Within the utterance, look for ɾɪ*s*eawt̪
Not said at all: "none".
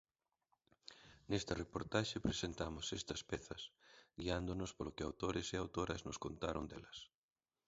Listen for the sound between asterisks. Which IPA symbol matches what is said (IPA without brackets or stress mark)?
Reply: s